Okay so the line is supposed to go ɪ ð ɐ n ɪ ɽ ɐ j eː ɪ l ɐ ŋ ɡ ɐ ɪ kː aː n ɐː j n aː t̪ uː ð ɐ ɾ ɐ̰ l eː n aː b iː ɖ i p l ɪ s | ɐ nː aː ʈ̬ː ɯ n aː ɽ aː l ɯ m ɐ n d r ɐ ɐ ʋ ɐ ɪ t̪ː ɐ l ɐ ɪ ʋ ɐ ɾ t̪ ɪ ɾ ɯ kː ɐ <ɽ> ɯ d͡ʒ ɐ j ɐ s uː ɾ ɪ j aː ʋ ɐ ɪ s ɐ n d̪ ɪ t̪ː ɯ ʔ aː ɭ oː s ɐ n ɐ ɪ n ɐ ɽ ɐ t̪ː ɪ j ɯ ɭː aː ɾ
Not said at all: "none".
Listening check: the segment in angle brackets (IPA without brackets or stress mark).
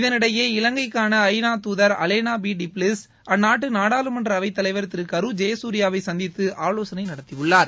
ɾ